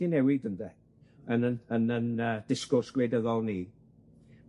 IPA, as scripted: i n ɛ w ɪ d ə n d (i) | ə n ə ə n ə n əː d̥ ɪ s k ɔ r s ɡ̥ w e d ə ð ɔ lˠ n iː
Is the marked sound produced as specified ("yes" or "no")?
no